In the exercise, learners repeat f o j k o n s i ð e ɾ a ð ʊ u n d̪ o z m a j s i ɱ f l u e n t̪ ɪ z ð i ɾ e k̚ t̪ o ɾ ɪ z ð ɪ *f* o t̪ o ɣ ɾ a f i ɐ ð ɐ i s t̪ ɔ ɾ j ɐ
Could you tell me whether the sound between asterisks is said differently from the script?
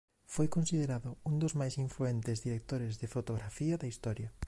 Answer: no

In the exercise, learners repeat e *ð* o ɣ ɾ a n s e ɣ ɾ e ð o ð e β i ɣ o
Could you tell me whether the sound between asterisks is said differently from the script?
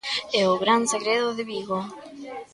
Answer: yes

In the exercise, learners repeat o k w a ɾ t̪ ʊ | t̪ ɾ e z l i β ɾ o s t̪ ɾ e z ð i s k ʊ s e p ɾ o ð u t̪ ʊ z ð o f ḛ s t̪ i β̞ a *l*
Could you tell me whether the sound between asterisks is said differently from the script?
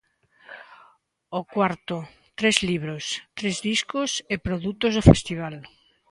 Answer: no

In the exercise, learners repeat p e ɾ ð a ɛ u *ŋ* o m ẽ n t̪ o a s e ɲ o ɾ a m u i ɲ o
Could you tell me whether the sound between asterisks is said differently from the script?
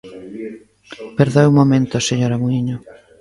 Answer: yes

